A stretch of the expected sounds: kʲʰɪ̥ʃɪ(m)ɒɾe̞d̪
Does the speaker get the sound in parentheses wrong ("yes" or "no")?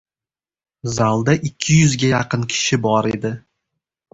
yes